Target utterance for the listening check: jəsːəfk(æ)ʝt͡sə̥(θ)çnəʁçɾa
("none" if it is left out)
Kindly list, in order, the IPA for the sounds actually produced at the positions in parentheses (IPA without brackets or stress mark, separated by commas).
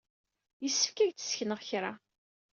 æ, s